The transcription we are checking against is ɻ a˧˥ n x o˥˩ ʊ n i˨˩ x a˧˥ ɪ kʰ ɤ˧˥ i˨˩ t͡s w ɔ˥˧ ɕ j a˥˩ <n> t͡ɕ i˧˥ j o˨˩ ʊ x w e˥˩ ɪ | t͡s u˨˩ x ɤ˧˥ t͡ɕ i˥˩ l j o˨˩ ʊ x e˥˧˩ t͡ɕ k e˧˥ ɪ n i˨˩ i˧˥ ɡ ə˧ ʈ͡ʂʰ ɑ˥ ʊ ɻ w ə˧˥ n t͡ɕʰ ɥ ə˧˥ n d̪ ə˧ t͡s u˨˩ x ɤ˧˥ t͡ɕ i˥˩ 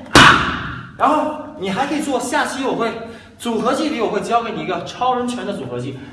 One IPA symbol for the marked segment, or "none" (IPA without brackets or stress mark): none